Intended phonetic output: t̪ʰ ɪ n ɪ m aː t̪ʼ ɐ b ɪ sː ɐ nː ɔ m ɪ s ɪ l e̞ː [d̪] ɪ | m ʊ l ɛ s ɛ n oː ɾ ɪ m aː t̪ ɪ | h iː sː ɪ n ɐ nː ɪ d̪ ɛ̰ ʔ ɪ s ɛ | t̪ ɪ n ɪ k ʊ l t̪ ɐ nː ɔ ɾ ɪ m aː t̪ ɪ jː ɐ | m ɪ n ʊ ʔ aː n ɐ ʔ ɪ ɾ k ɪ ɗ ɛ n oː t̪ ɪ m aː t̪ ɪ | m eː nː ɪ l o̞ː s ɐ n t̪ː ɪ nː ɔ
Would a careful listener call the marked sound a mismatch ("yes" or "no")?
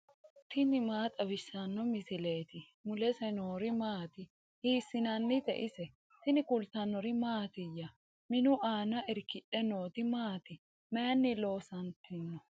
yes